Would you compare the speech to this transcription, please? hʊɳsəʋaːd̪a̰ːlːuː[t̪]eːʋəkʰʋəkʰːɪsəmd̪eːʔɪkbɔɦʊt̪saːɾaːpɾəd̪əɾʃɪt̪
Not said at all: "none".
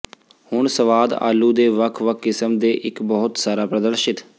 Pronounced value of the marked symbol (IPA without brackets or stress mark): d̪